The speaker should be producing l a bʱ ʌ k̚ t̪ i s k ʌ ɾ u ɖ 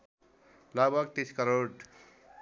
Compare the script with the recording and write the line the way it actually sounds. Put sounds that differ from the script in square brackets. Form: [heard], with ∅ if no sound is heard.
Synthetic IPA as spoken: l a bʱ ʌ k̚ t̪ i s k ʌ ɾ [o] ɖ